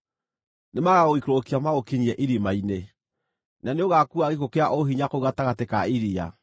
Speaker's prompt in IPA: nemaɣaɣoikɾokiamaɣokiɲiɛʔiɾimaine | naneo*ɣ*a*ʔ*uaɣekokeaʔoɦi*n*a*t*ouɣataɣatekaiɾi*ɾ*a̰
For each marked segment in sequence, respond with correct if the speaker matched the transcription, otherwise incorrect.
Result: correct, incorrect, incorrect, incorrect, incorrect

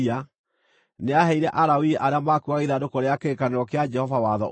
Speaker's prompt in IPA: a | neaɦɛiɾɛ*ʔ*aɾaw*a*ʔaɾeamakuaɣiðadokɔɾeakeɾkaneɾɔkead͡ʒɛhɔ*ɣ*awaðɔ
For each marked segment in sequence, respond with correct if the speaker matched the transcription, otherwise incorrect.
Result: correct, incorrect, incorrect

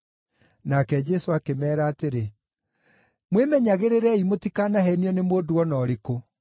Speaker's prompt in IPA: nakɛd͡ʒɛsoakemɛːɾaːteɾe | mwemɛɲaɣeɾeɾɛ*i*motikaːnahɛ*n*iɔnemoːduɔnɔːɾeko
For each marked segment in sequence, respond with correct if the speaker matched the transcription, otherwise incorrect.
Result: correct, correct

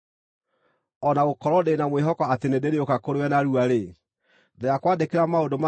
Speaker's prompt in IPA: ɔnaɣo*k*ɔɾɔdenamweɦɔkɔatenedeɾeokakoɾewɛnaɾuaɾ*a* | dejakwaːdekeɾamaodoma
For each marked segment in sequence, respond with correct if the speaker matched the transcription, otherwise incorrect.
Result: correct, incorrect

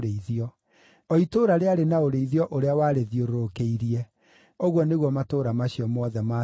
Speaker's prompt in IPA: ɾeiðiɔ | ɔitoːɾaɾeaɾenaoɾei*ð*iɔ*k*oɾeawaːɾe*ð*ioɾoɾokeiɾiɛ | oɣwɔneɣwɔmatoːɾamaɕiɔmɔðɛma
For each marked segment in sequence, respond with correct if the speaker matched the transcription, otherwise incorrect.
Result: correct, incorrect, correct

